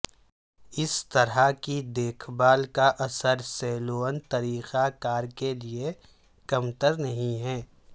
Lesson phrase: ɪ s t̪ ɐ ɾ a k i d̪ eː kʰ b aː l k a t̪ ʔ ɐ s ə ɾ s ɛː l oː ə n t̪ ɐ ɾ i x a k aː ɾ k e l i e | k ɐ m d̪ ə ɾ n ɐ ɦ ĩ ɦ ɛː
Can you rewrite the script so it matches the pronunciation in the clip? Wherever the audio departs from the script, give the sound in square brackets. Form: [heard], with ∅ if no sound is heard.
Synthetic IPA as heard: ɪ s t̪ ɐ ɾ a k i d̪ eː kʰ b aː l k a [∅] ʔ ɐ s ə ɾ s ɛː l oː ə n t̪ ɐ ɾ [iː] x a k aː ɾ k e l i e | k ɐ m [t̪] ə ɾ n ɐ ɦ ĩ ɦ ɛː